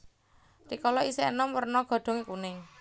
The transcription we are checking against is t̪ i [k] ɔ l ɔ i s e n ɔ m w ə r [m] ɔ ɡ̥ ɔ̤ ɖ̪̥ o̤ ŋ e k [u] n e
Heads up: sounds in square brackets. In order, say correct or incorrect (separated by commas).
correct, incorrect, correct